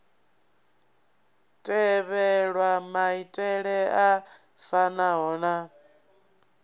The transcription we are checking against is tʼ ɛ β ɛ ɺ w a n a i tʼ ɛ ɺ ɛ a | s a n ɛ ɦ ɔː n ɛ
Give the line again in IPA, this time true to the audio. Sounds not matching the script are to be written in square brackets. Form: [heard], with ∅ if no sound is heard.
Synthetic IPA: tʼ ɛ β ɛ ɺ w a [m] a i tʼ ɛ ɺ ɛ a | [f] a n [a] ɦ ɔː n [a]